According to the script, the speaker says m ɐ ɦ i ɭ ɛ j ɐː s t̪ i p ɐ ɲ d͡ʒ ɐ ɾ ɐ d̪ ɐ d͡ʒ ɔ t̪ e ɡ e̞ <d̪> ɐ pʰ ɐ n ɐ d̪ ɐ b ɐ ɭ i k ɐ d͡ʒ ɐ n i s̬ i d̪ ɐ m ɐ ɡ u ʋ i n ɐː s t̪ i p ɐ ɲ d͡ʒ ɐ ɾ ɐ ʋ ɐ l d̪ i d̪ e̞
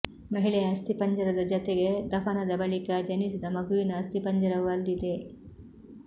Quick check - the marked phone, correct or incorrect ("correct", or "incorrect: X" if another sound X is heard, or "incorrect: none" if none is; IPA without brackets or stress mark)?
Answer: correct